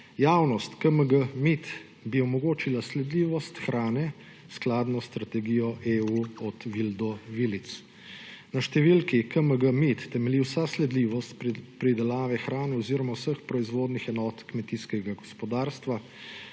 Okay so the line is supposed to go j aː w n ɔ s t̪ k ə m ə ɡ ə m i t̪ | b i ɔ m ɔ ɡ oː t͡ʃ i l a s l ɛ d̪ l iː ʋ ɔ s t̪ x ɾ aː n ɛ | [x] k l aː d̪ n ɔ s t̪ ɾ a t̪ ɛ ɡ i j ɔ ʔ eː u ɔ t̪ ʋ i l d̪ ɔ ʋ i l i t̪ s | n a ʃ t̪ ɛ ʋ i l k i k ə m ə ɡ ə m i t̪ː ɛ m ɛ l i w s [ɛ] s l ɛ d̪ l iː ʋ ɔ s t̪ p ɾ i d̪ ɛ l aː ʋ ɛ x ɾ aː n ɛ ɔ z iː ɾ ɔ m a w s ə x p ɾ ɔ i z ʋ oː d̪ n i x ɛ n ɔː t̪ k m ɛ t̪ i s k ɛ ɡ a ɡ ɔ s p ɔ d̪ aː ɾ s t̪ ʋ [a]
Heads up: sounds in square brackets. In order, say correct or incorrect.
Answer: incorrect: s, incorrect: a, correct

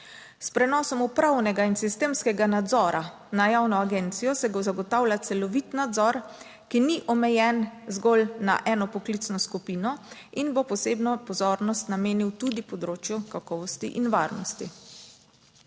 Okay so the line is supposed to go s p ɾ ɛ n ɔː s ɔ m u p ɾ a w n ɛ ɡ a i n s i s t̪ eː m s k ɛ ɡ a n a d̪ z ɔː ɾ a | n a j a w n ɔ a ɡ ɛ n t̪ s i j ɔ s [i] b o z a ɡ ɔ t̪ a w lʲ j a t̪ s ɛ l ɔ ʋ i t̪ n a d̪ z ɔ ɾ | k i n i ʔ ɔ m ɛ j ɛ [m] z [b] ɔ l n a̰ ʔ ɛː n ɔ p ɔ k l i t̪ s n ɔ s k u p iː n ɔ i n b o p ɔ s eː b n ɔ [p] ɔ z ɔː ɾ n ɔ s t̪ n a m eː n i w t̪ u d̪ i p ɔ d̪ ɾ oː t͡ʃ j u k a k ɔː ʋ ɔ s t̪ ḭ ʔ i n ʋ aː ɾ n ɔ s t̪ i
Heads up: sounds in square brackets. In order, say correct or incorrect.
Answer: incorrect: ɛ, incorrect: n, incorrect: ɡ, correct

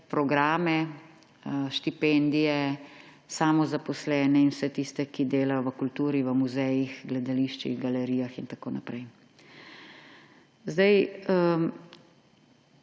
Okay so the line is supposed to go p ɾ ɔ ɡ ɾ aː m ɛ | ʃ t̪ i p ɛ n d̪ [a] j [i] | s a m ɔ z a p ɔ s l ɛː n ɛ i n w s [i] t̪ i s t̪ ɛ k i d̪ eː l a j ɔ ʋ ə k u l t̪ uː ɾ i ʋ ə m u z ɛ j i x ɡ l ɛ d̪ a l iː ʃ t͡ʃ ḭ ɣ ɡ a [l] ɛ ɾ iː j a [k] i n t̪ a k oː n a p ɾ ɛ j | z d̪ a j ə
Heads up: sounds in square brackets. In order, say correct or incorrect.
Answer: incorrect: i, incorrect: ɛ, incorrect: ɛ, correct, incorrect: x

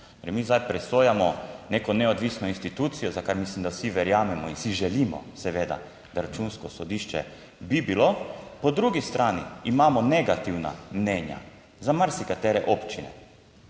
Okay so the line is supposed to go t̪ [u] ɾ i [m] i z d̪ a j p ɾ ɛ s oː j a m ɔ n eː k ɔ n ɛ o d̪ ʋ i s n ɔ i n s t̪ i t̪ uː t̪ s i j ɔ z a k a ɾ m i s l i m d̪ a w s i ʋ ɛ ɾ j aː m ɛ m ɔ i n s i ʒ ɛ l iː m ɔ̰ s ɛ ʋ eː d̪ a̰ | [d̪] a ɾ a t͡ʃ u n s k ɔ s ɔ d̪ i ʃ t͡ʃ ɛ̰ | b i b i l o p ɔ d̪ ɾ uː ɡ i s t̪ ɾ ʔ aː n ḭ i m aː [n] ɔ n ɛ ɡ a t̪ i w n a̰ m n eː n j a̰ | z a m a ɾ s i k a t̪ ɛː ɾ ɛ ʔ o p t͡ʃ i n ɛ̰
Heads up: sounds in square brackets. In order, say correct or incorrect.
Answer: incorrect: o, correct, correct, incorrect: m

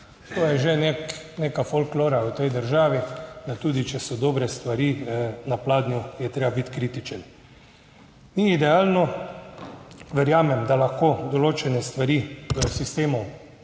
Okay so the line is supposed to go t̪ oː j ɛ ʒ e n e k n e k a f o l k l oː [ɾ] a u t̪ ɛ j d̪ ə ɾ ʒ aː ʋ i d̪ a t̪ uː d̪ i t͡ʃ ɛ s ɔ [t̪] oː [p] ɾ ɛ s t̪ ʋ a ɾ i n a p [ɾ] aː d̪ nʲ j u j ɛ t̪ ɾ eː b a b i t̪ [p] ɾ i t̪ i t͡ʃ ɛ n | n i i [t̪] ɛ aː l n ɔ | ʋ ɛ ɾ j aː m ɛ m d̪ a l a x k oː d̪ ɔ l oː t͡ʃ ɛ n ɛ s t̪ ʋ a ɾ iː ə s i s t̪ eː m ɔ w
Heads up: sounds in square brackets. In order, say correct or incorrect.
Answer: correct, incorrect: d̪, incorrect: b, incorrect: l, incorrect: k, incorrect: d̪

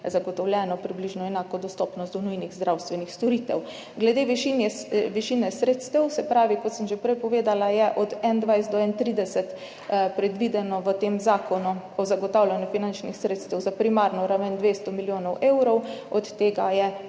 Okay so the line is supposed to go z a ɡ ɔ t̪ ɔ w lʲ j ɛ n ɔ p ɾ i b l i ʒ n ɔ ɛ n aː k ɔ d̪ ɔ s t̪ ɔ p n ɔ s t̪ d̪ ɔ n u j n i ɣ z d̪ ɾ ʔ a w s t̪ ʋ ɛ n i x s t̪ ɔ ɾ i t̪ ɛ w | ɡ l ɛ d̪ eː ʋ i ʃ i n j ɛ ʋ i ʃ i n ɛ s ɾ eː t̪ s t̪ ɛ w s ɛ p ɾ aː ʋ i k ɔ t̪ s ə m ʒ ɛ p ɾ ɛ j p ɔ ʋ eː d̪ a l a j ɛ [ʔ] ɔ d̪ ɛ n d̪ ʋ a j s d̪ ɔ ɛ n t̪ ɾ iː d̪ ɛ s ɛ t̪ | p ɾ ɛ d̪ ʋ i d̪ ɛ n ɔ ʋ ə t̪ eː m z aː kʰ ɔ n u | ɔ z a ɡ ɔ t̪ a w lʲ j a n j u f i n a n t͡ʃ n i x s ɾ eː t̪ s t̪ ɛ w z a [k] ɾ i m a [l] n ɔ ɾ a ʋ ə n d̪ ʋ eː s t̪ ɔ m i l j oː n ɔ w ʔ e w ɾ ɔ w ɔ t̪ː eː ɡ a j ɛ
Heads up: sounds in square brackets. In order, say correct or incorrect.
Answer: correct, incorrect: p, incorrect: ɾ

